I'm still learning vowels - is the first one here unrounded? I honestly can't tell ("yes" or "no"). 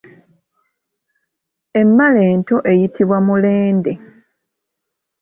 yes